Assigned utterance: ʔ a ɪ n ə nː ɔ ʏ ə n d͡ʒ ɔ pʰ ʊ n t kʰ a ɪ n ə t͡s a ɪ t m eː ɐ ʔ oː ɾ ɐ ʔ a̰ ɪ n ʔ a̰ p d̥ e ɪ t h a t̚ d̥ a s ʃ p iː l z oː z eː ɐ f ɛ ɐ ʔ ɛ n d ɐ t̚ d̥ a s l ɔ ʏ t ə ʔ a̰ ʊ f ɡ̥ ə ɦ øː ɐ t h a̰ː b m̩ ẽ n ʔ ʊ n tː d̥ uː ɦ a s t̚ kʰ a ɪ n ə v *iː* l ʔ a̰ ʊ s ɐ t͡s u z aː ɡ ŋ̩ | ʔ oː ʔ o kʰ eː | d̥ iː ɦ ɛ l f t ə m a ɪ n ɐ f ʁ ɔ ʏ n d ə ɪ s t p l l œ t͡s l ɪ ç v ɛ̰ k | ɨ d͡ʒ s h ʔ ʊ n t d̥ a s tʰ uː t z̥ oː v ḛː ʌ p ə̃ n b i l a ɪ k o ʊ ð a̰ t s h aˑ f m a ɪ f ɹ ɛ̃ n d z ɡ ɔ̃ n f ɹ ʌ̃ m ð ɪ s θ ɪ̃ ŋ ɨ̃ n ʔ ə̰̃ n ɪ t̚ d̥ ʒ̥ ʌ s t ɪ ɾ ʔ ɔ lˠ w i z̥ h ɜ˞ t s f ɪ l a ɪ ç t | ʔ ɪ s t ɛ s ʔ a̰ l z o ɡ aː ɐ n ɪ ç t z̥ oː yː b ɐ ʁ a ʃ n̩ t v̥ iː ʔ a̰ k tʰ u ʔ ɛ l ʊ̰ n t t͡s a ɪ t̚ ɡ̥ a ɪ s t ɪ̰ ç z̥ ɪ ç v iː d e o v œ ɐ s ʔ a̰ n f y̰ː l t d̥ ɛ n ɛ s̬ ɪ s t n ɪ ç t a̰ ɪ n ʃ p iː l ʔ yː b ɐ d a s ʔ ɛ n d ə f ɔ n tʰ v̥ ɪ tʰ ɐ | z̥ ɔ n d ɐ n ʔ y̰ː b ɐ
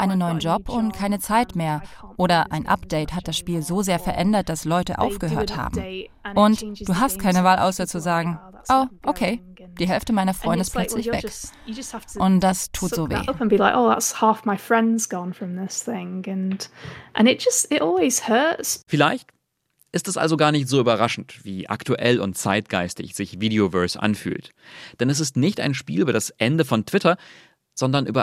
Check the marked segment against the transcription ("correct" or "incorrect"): incorrect